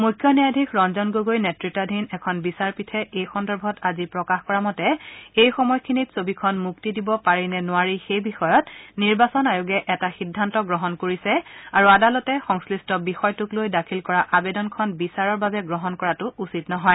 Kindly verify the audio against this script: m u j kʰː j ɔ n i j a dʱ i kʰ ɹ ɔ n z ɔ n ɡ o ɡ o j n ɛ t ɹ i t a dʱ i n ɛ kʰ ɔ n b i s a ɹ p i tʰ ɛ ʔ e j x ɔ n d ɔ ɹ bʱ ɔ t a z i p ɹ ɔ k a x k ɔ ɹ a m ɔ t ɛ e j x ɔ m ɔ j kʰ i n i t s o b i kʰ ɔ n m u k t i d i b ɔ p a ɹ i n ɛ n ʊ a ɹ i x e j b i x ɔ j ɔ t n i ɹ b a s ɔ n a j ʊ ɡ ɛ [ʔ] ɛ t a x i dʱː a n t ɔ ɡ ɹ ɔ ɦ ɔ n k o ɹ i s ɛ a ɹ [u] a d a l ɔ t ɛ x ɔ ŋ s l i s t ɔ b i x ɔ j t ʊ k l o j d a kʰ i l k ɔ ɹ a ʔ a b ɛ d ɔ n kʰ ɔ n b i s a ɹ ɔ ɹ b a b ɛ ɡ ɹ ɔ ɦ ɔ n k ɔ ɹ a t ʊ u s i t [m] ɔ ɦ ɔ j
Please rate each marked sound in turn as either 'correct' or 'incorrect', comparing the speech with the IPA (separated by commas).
correct, correct, incorrect